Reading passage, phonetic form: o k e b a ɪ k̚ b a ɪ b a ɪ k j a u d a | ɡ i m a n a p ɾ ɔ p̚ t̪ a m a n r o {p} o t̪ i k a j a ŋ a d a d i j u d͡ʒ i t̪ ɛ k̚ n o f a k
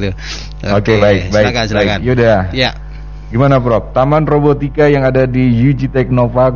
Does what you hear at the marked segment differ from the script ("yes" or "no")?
yes